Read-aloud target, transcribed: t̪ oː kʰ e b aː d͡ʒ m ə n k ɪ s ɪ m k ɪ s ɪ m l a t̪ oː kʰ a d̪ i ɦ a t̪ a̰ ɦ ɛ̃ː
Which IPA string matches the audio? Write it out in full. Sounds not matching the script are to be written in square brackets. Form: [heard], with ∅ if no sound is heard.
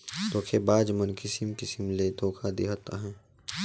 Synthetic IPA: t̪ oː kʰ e b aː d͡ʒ m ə n k ɪ s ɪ m k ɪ s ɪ m l [e] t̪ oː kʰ a d̪ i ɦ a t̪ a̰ ɦ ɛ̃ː